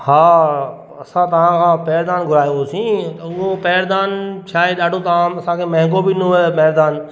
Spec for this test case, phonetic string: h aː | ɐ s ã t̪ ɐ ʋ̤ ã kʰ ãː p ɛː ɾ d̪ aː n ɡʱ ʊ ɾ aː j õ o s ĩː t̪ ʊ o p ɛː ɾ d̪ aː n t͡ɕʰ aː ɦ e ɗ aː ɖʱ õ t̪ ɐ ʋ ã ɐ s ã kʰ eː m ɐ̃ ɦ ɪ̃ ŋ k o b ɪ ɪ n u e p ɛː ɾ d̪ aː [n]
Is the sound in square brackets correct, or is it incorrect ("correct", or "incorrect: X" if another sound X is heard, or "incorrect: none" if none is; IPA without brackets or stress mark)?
correct